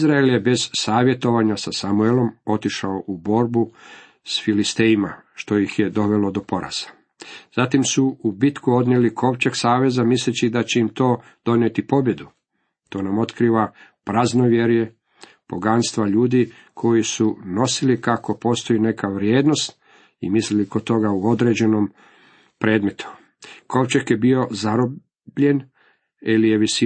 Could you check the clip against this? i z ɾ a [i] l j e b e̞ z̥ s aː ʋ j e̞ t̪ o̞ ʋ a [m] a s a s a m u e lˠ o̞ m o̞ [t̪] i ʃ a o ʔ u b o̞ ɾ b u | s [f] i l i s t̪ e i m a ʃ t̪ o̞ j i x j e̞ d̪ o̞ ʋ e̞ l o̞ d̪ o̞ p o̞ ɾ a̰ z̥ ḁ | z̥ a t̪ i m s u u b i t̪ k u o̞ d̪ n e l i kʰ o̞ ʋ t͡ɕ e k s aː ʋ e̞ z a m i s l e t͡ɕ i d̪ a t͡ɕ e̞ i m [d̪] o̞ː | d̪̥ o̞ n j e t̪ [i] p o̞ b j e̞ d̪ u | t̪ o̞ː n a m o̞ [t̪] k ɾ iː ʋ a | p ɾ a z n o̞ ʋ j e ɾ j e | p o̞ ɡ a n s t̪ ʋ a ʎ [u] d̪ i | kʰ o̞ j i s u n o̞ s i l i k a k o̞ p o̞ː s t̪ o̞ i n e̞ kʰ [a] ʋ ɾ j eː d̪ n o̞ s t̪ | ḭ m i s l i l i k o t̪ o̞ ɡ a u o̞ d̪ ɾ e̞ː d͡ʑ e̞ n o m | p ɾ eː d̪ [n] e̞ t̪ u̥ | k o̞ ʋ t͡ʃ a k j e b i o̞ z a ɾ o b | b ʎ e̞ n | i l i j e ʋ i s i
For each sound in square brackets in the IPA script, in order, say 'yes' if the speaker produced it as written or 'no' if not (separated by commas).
no, no, yes, yes, no, yes, yes, no, yes, no